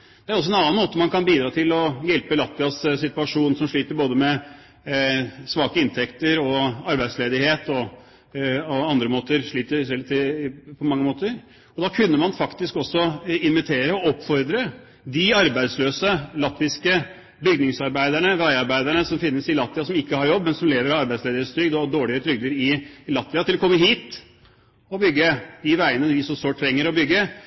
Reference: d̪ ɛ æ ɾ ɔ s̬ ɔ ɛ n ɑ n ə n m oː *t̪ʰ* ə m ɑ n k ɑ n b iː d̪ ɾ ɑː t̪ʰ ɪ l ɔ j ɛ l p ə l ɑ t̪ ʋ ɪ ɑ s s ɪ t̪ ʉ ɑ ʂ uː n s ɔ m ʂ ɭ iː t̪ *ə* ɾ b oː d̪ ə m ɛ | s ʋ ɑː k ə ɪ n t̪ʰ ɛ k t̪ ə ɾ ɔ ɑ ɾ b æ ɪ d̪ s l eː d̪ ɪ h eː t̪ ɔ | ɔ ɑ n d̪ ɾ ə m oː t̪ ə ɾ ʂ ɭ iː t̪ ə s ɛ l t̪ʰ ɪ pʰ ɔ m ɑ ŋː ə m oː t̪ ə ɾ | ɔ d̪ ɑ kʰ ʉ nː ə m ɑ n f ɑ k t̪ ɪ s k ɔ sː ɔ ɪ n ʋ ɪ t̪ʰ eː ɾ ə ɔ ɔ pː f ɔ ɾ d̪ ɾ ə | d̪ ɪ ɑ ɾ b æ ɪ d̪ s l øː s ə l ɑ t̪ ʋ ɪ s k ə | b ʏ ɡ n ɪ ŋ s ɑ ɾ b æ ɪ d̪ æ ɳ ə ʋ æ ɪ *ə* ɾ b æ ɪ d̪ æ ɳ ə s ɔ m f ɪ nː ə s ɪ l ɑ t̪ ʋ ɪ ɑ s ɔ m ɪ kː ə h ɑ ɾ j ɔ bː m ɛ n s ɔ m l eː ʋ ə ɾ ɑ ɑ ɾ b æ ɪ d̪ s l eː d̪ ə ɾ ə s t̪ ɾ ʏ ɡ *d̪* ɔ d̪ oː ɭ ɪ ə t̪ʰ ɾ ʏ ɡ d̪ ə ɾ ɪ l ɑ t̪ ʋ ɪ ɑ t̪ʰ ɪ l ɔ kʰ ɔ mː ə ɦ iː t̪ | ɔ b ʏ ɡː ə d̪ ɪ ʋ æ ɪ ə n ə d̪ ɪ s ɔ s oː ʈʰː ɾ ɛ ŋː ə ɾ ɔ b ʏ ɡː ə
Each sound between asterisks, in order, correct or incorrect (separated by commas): incorrect, correct, incorrect, correct